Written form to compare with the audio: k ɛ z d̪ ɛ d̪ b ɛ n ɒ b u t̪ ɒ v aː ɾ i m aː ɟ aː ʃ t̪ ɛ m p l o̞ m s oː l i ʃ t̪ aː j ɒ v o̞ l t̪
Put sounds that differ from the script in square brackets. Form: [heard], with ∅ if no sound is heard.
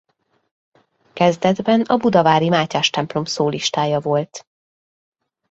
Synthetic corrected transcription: k ɛ z d̪ ɛ d̪ b ɛ n ɒ b u [d̪] ɒ v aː ɾ i m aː [c] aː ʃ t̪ ɛ m p l o̞ m s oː l i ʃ t̪ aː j ɒ v o̞ l t̪